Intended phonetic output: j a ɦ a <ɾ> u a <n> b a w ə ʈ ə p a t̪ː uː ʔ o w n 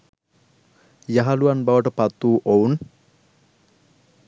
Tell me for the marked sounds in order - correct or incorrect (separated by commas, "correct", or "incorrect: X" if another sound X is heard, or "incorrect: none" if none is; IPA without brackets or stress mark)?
incorrect: l, correct